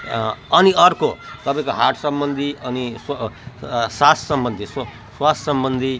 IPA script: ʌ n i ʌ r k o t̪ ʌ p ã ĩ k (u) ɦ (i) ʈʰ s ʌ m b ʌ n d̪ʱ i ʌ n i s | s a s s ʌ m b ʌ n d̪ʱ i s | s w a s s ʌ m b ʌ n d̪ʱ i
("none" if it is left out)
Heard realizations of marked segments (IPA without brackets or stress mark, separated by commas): o, a